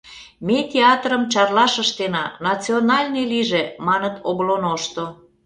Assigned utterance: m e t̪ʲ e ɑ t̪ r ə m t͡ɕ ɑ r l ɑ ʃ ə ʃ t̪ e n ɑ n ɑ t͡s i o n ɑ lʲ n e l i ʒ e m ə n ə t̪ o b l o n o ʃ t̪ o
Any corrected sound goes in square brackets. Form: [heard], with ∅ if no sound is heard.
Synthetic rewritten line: m e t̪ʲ e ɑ t̪ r ə m t͡ɕ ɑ r l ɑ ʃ ə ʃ t̪ e n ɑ n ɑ t͡s i o n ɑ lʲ n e l i ʒ e m [ɑ] n ə t̪ o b l o n o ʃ t̪ o